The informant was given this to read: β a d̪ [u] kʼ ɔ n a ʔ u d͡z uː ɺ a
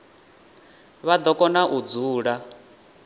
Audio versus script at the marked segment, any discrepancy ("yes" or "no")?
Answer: yes